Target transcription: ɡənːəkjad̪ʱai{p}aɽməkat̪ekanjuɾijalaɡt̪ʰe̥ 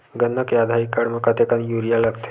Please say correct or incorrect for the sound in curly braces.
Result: incorrect